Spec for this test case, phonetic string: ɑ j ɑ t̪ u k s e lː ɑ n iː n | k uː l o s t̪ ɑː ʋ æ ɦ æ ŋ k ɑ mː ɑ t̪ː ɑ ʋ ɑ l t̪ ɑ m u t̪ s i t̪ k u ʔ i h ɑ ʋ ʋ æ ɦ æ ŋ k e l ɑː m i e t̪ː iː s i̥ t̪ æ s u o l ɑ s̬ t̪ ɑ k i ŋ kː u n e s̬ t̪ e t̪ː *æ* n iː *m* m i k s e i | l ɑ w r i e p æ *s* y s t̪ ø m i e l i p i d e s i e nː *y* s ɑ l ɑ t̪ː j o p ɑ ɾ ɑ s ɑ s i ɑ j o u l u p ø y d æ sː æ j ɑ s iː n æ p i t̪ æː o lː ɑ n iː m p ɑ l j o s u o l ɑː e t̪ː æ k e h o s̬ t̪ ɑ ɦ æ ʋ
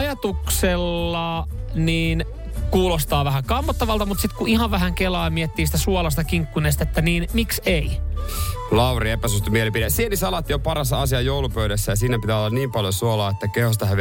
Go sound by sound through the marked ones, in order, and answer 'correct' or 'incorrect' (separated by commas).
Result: correct, incorrect, correct, incorrect